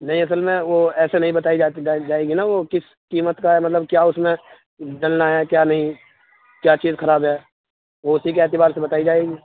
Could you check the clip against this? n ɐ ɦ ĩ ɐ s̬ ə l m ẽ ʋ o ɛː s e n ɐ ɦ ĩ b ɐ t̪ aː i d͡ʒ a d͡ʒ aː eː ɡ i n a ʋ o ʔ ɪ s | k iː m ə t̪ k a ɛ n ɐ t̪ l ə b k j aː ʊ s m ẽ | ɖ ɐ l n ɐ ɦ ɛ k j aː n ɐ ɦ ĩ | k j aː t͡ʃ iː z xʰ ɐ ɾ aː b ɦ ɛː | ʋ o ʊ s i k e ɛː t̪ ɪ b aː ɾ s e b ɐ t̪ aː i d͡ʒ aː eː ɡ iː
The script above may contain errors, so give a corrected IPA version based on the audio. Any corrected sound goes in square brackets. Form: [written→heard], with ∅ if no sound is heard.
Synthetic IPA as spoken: n ɐ ɦ ĩ ɐ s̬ ə l m ẽ ʋ o ɛː s e n ɐ ɦ ĩ b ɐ t̪ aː i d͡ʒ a d͡ʒ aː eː ɡ i n a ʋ o [ʔ→k] ɪ s | k iː m ə t̪ k a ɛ [n→m] ɐ t̪ l ə b k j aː ʊ s m ẽ | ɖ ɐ l n [ɐ→a] ɦ ɛ k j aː n ɐ ɦ ĩ | k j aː t͡ʃ iː z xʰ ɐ ɾ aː b ɦ ɛː | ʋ o ʊ s i k e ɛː t̪ ɪ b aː ɾ s e b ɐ t̪ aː i d͡ʒ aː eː ɡ iː